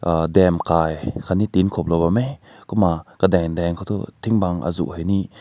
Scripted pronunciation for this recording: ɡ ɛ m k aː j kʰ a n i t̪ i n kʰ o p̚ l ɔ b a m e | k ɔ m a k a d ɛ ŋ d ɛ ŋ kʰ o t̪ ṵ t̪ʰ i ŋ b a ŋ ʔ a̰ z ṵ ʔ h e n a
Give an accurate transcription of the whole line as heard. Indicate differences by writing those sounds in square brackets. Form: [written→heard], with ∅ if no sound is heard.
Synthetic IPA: [ɡ→d] ɛ m k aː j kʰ a n i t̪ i n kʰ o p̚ l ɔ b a m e | k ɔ m a k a d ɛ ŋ d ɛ ŋ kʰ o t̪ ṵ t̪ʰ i ŋ b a ŋ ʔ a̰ z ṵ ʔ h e n [a→i]